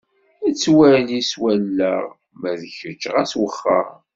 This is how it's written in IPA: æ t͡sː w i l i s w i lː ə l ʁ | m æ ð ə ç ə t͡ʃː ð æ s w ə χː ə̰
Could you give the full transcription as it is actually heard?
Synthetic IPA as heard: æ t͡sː w æ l i s w æ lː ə ʁ | m æ ð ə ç ə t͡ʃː ʁ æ s w ə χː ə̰